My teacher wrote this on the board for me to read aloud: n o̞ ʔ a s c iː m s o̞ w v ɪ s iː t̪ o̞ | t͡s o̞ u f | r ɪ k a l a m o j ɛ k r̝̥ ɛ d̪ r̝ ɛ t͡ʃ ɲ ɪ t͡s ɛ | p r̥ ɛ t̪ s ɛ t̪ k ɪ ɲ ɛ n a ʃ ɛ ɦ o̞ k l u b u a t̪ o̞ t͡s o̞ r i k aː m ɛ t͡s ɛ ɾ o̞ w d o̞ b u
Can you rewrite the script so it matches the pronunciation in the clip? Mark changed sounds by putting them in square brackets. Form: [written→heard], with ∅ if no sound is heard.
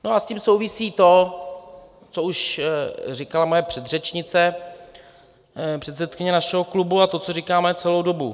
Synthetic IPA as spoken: n o̞ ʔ a s c iː m s o̞ w v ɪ s iː t̪ o̞ | t͡s o̞ u [f→ʃ] | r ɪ k a l a m o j ɛ [k→p] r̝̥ ɛ d̪ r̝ ɛ t͡ʃ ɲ ɪ t͡s ɛ | p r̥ ɛ t̪ s ɛ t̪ k ɪ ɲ ɛ n a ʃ ɛ ɦ o̞ k l u b u a t̪ o̞ t͡s o̞ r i k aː m ɛ t͡s ɛ [ɾ→l] o̞ w d o̞ b u